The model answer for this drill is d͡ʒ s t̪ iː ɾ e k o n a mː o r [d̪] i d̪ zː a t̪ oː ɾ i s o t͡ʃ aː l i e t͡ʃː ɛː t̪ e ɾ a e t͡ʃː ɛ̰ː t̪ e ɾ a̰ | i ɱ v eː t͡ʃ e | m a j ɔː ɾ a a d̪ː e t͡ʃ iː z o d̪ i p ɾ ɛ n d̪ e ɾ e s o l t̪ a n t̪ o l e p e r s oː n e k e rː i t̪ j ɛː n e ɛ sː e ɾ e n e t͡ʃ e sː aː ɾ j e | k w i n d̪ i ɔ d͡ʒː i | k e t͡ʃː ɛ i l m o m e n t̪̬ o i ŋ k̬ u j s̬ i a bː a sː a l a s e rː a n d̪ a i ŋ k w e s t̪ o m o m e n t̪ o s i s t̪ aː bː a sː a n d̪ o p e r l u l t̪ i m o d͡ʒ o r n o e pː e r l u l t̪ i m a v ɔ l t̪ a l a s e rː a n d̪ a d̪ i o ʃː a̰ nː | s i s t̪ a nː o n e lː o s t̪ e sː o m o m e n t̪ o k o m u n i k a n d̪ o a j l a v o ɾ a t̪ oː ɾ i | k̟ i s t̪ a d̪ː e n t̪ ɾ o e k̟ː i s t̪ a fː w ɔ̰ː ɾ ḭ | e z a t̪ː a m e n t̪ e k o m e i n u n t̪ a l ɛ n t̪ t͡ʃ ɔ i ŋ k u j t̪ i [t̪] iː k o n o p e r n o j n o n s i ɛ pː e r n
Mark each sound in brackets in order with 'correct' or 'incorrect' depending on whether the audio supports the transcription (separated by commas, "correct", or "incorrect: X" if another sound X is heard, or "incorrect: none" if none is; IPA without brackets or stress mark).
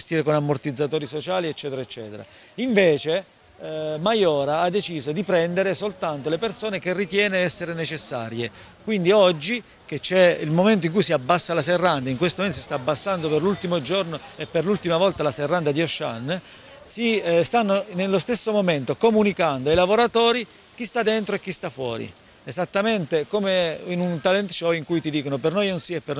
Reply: incorrect: t̪, incorrect: d̪